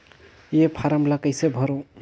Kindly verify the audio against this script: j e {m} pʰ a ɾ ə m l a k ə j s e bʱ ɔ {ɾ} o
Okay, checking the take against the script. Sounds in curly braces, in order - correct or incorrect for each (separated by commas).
incorrect, correct